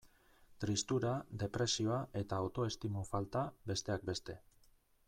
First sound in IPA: t̪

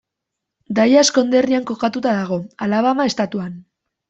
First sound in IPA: d̪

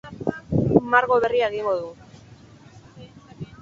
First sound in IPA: m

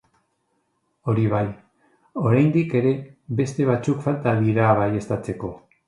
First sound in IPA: o̞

